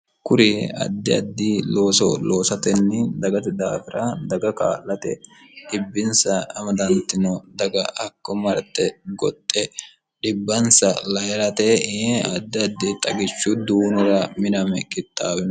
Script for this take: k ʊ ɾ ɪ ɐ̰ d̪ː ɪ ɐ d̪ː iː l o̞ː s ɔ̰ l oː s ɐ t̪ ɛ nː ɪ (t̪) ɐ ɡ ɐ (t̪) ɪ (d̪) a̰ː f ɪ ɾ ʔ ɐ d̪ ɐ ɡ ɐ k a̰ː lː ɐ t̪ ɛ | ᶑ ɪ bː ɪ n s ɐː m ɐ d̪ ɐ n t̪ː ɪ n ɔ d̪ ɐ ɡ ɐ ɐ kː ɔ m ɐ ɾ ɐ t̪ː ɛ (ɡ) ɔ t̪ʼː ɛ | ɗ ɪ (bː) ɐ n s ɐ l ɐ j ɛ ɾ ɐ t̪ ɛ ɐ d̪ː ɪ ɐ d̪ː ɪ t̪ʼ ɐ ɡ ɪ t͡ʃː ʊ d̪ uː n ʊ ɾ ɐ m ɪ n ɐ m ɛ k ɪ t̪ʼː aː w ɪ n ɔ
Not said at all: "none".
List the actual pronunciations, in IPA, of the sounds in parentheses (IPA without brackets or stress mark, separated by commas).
d̪, t̪, d̪, ɡ, bː